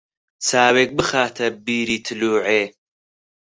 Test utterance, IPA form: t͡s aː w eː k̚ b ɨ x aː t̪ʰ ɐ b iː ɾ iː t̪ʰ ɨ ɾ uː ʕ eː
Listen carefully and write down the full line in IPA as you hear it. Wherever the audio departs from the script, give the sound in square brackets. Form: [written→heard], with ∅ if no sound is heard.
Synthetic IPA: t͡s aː w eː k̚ b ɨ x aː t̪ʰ ɐ b iː ɾ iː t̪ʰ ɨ [ɾ→l] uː ʕ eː